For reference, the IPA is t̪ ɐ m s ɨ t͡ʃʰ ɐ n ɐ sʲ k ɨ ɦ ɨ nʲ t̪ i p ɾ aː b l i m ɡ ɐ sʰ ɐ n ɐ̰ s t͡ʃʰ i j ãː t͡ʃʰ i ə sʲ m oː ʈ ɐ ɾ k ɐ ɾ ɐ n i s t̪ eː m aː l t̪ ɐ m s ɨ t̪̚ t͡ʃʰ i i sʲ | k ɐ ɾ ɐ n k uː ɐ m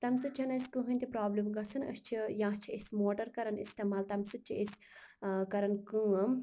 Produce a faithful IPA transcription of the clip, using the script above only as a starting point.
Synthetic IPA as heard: t̪ ɐ m s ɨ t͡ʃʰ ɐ n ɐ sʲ k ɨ ɦ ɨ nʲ t̪ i p ɾ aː b l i m ɡ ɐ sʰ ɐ n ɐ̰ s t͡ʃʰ i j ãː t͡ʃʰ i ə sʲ m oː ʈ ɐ ɾ k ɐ ɾ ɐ n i s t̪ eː m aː l t̪ ɐ m s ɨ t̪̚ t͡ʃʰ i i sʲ | k ɐ ɾ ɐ n k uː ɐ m